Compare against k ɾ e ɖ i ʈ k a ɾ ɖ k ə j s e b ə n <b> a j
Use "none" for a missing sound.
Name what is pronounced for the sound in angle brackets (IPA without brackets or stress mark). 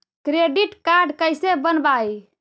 b